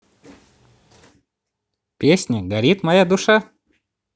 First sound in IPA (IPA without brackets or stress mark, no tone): pʲ